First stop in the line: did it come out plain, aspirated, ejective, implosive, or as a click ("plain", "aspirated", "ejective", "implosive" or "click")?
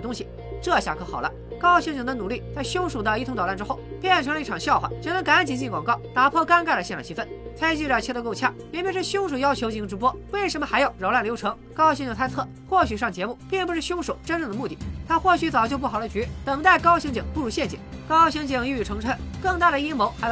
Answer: plain